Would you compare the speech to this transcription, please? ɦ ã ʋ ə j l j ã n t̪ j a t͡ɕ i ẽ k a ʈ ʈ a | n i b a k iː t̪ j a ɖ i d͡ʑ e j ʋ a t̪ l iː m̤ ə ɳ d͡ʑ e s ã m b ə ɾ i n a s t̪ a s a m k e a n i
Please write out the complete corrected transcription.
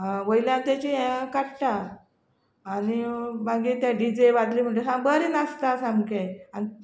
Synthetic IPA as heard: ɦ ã ʋ ə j l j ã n t̪ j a t͡ɕ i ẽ k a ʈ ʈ a | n i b a ɡ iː t̪ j a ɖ i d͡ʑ e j ʋ a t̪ l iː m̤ ə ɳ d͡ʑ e s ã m b ə ɾ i n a s t̪ a s a m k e a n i